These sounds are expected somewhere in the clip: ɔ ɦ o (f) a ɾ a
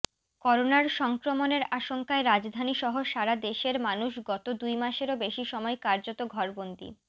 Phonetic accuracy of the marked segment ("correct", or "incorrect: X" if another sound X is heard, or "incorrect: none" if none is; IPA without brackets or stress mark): incorrect: ʃ